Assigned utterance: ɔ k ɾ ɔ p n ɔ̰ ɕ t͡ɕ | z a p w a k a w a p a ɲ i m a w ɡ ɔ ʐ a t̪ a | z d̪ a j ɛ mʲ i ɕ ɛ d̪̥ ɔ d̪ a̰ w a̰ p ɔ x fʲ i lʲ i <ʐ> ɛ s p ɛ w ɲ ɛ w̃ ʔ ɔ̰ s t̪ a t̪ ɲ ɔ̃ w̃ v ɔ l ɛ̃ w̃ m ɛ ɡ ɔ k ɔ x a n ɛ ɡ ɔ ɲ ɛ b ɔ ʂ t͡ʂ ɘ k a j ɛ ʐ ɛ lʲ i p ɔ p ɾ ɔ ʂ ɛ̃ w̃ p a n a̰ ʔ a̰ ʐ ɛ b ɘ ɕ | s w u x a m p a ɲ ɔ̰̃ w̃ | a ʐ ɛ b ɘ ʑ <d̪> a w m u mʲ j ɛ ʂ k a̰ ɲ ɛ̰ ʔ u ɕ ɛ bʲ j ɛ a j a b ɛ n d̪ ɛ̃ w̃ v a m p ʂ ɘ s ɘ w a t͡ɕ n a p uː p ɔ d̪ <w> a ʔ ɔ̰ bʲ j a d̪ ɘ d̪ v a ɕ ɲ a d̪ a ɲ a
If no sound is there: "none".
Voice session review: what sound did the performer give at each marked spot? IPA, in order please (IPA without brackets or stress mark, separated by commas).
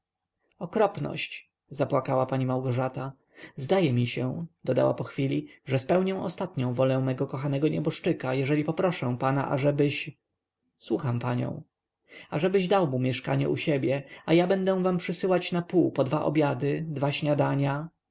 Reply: ʐ, d̪, v